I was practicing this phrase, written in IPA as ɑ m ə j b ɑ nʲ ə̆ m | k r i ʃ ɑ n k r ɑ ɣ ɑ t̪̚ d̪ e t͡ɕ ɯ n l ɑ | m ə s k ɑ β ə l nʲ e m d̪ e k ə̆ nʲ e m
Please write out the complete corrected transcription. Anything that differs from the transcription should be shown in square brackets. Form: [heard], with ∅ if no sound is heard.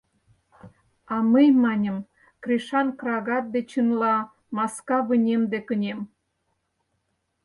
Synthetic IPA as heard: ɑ m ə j [m] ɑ nʲ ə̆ m | k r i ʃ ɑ n k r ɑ ɣ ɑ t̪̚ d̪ e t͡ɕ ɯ n l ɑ | m [ɑ] s k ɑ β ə [∅] nʲ e m d̪ e k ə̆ nʲ e m

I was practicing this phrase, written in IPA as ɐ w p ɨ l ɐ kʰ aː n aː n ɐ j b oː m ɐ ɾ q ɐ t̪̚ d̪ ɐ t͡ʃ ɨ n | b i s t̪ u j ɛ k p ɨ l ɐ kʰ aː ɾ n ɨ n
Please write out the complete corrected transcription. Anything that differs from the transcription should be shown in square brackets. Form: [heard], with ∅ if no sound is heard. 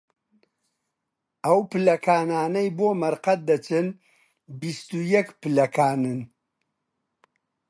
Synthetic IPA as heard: ɐ w p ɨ l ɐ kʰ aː n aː n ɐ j b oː m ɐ ɾ q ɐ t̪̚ d̪ ɐ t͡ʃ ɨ n | b i s t̪ u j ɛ k p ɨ l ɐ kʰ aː [∅] n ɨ n

